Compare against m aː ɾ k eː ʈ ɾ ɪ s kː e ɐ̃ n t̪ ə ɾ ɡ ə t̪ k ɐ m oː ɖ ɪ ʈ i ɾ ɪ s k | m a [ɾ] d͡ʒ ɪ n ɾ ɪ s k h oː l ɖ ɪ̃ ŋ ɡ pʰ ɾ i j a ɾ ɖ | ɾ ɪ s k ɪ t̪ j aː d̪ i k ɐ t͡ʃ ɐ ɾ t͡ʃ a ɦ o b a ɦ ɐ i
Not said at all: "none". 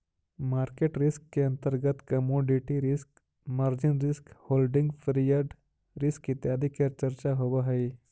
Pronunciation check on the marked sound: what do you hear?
ɾ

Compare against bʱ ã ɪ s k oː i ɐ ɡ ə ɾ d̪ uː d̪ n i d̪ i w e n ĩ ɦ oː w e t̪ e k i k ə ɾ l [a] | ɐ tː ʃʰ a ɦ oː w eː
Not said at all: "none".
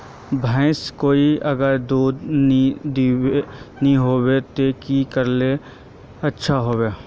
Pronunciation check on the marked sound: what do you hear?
e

